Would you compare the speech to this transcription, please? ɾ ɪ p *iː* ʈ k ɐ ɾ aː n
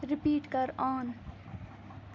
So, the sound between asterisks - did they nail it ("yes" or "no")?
yes